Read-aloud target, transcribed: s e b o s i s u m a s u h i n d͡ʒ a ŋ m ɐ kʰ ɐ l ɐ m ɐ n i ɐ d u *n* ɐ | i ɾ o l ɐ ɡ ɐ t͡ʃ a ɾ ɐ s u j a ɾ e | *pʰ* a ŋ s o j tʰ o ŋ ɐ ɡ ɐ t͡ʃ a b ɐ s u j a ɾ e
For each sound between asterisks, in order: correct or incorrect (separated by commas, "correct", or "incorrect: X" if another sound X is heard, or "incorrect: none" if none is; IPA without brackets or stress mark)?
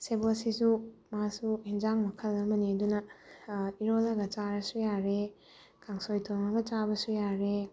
correct, incorrect: kʰ